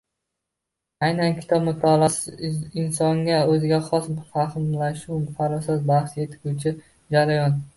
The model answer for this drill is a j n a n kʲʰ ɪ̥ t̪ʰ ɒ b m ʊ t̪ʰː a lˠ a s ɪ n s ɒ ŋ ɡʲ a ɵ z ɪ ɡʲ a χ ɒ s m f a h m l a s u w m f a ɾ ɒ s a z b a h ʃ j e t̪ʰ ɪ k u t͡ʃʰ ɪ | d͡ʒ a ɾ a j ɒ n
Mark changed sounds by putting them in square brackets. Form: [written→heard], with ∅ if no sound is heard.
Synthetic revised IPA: a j n a n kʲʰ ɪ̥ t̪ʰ ɒ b m ʊ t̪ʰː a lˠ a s ɪ n s ɒ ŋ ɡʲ a ɵ z ɪ ɡʲ a χ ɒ s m f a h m l a [s→ʃ] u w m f a ɾ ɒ s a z b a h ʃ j e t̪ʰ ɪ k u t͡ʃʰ ɪ | d͡ʒ a ɾ a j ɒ n